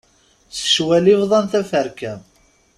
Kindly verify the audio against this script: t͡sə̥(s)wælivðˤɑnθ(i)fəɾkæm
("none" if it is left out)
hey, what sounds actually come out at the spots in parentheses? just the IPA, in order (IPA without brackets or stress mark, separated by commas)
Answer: ʃ, æ